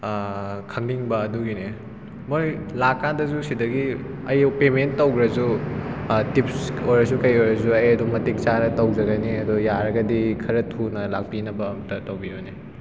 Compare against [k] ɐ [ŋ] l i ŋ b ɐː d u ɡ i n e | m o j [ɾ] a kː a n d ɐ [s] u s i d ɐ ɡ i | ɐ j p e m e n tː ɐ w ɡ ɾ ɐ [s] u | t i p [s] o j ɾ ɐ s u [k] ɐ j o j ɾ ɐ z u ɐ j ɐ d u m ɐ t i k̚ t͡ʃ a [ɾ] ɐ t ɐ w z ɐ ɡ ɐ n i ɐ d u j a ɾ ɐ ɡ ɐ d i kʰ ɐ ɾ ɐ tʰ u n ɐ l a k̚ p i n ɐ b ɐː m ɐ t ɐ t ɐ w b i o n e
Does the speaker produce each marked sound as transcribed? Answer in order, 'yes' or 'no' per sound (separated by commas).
no, yes, no, no, no, yes, yes, yes